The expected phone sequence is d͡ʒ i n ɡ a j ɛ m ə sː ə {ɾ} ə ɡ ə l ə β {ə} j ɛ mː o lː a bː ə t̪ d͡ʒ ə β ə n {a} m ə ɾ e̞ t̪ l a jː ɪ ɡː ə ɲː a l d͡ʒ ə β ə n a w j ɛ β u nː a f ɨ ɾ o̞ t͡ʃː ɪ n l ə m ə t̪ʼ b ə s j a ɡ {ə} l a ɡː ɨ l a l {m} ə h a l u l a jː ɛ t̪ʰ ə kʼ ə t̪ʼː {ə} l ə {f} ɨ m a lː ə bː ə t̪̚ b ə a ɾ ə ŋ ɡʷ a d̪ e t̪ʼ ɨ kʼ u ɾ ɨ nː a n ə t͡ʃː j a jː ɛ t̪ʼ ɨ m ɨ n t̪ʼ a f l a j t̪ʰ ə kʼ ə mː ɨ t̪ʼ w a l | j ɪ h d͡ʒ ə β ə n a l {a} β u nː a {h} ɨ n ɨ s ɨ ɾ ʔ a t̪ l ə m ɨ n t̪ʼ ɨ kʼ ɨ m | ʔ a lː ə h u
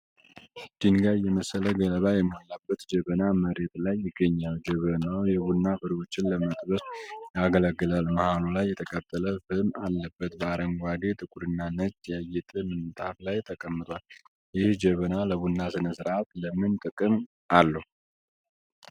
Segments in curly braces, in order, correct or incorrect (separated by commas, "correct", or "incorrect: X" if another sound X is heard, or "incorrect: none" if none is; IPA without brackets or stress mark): incorrect: l, incorrect: a, correct, correct, correct, correct, correct, incorrect: ə, incorrect: s